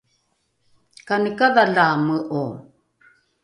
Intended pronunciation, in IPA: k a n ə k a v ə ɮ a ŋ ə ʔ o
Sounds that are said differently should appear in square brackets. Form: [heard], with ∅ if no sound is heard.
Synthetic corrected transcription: k a n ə k a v [a] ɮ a [m] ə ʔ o